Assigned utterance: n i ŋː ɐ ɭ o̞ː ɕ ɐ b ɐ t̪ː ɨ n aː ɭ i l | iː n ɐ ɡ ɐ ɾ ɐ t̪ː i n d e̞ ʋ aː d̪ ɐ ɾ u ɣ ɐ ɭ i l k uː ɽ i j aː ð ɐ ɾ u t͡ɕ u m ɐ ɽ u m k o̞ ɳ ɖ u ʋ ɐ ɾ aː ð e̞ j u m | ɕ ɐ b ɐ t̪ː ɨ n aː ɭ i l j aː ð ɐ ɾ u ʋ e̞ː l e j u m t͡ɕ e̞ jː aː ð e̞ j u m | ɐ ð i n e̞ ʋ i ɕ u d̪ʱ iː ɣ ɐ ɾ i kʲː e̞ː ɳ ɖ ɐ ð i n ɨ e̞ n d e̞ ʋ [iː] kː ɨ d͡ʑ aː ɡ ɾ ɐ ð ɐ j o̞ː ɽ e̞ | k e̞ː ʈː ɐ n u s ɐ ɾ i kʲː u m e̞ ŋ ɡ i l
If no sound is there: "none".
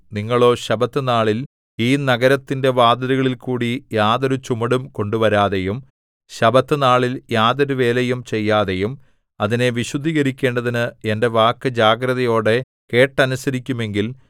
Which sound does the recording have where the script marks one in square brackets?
aː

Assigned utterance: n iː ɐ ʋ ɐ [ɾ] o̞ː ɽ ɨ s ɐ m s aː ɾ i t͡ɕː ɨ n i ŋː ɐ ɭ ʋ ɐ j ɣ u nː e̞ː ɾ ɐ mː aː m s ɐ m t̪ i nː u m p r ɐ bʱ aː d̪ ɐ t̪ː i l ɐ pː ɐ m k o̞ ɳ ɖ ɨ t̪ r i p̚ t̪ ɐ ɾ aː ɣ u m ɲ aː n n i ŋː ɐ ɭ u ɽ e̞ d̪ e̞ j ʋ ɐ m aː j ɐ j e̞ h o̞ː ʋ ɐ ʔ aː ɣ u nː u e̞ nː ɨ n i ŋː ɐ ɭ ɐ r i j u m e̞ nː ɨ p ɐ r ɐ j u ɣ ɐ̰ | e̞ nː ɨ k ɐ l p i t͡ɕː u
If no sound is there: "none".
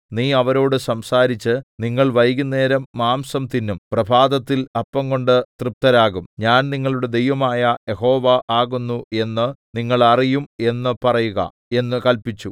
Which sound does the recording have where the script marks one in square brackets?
ɾ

